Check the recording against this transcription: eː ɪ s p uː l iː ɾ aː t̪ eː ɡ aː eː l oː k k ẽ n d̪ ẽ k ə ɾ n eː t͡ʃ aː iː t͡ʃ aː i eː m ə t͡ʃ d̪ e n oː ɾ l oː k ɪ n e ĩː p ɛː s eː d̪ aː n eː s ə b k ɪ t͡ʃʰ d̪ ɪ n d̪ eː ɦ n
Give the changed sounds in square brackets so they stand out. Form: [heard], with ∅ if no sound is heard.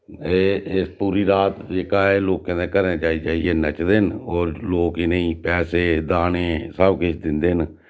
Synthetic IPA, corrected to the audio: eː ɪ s p uː [ɾ] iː ɾ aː t̪ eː [k] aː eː l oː k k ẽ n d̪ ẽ k ə ɾ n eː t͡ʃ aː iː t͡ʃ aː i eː [n] ə t͡ʃ d̪ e n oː ɾ l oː k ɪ n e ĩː p ɛː s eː d̪ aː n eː s ə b k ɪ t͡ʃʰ d̪ ɪ n d̪ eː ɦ n